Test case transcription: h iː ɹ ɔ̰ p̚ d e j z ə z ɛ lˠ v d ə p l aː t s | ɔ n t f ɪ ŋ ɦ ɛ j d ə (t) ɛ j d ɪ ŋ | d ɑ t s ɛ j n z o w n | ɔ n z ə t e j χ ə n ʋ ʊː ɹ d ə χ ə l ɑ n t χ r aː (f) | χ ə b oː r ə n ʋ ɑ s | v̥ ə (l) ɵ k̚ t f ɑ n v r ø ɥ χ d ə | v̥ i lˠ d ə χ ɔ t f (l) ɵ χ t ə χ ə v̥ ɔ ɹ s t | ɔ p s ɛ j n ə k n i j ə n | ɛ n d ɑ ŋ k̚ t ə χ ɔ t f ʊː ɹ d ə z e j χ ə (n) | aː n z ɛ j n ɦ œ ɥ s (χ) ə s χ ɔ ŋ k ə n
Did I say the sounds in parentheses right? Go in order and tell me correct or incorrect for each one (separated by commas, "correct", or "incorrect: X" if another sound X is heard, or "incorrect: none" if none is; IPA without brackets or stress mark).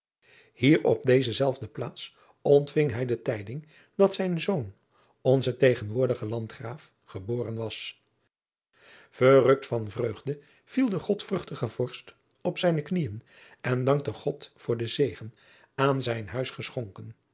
correct, correct, incorrect: r, incorrect: r, correct, correct